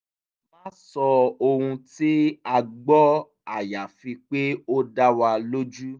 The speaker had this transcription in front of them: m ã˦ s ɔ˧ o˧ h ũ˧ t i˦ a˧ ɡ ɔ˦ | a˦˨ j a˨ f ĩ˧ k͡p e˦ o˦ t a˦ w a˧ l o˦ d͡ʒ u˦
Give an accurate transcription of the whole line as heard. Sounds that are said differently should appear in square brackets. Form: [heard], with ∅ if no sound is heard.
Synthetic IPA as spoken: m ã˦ s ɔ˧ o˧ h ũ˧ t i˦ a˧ [ɡ͡b] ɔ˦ | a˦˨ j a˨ f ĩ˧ k͡p e˦ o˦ [d] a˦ w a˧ l o˦ d͡ʒ u˦